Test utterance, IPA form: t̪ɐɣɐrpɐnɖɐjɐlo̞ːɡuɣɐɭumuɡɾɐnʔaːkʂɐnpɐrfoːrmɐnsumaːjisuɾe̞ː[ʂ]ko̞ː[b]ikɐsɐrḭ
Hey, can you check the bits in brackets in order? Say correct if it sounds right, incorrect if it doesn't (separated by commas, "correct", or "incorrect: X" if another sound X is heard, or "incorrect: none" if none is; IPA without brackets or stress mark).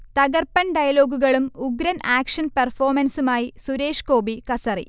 correct, correct